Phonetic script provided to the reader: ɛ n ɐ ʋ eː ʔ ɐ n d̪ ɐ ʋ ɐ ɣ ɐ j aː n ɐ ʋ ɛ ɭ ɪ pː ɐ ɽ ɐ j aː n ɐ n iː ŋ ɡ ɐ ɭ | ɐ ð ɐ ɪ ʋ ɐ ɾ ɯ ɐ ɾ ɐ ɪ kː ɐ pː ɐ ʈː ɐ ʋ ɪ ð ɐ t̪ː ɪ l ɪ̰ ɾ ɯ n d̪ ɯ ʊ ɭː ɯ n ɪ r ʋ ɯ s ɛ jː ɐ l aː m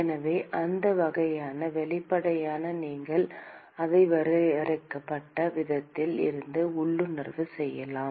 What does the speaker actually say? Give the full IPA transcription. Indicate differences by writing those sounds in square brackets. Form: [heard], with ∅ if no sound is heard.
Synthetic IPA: ɛ n ɐ ʋ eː ʔ ɐ n d̪ ɐ ʋ ɐ ɣ ɐ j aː n ɐ ʋ ɛ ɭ ɪ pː ɐ ɽ ɐ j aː n ɐ n iː ŋ ɡ ɐ ɭ | ɐ ð ɐ ɪ ʋ ɐ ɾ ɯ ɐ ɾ ɐ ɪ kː ɐ pː ɐ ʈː ɐ ʋ ɪ ð ɐ t̪ː ɪ l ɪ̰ ɾ ɯ n d̪ ɯ ʊ ɭː ɯ n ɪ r ʋ ɯ s ɛ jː ɐ l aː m

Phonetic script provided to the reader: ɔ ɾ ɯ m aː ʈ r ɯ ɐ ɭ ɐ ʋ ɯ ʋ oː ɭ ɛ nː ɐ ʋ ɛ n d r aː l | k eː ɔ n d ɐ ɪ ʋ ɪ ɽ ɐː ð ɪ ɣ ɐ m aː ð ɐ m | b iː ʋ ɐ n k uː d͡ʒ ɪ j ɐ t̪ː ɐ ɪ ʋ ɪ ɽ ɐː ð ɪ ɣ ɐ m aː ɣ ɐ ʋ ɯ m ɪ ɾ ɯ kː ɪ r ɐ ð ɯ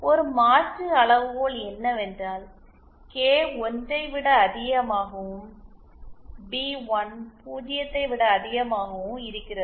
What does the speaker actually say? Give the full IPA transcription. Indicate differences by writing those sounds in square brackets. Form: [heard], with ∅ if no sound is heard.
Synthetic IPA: ɔ ɾ ɯ m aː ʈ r ɯ ɐ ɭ ɐ ʋ ɯ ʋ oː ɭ ɛ nː ɐ ʋ ɛ n d r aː l | k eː ɔ n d ɐ ɪ ʋ ɪ ɽ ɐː ð ɪ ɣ ɐ m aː [ɣ] ɐ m | b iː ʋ ɐ n [p] uː d͡ʒ ɪ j ɐ t̪ː ɐ ɪ ʋ ɪ ɽ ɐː ð ɪ ɣ ɐ m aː ɣ ɐ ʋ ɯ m ɪ ɾ ɯ kː ɪ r ɐ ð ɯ

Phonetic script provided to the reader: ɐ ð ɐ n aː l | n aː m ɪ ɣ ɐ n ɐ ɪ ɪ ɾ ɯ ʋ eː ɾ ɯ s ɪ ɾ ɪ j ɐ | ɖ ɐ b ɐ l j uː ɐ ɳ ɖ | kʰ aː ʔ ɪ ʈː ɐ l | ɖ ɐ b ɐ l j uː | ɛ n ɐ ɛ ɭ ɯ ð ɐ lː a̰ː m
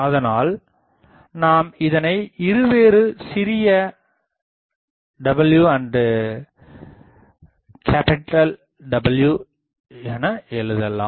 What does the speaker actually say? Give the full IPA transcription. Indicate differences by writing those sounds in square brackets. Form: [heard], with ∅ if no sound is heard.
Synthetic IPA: ɐ ð ɐ n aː l | n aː m ɪ [ð] ɐ n ɐ ɪ ɪ ɾ ɯ ʋ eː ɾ ɯ s ɪ ɾ ɪ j ɐ | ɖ ɐ b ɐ l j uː ɐ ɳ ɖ | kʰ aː [p] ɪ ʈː ɐ l | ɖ ɐ b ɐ l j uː | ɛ n ɐ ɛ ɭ ɯ ð ɐ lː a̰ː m

